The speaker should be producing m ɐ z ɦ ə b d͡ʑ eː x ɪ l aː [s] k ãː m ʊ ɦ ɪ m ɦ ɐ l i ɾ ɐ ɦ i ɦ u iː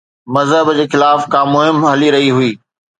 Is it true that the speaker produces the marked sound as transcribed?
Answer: no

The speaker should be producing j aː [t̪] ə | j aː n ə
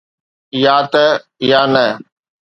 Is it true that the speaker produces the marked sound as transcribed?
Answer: yes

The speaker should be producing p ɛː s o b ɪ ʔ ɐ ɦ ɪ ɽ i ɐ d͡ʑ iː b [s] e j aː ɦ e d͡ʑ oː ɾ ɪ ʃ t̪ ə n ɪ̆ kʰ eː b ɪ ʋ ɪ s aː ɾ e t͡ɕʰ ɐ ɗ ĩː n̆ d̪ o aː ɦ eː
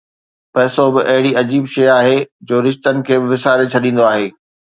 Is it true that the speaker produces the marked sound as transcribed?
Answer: no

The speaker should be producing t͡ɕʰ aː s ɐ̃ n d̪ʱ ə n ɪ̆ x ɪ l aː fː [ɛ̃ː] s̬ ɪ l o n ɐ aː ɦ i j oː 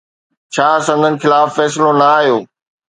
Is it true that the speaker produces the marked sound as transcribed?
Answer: no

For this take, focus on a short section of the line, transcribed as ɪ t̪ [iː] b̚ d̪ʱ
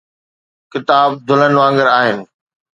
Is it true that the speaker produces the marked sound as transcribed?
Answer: no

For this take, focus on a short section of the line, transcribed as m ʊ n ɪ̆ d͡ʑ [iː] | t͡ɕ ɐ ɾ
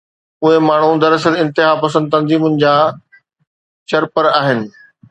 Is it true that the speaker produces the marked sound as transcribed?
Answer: no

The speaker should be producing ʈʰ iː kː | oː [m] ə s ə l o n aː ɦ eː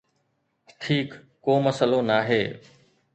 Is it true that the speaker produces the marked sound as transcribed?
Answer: yes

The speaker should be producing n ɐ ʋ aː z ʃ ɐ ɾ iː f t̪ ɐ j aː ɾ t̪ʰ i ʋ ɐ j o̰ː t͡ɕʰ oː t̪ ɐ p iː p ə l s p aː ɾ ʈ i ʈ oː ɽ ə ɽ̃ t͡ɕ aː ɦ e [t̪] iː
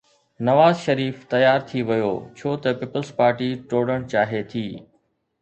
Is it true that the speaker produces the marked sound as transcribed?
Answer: no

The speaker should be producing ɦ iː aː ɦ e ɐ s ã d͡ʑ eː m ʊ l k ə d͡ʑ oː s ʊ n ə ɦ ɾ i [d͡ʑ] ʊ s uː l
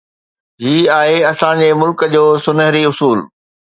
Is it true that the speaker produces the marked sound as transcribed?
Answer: no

